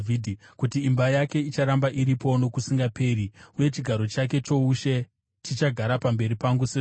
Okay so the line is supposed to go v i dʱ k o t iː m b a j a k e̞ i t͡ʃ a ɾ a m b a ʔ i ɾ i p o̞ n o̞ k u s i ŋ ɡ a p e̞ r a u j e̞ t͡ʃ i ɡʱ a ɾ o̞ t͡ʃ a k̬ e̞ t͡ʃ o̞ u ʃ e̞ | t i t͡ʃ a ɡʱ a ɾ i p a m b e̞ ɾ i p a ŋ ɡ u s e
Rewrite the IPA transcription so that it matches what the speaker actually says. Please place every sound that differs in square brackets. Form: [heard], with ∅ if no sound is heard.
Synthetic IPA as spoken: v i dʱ k [u] t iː m b a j a k e̞ i t͡ʃ a ɾ a m b a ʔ i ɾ i p o̞ n o̞ k u s i ŋ ɡ a p e̞ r [i] u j e̞ t͡ʃ i ɡʱ a ɾ o̞ t͡ʃ a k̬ e̞ t͡ʃ o̞ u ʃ e̞ | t i t͡ʃ a ɡʱ a ɾ [a] p a m b e̞ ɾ i p a ŋ ɡ u s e